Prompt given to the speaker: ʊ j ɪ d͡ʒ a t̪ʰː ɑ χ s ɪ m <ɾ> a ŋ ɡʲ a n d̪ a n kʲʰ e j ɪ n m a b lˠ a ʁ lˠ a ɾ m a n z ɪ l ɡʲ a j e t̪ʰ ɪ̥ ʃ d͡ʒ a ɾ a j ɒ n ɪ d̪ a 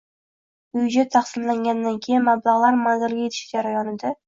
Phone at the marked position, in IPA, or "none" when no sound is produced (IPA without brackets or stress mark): l